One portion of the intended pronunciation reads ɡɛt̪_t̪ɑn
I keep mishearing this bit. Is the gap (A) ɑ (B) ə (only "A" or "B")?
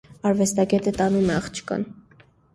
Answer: B